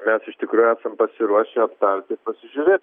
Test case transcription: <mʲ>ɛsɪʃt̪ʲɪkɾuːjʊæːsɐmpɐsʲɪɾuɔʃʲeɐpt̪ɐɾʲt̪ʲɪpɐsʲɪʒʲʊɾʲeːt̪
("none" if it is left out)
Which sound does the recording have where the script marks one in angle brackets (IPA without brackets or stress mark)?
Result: mʲ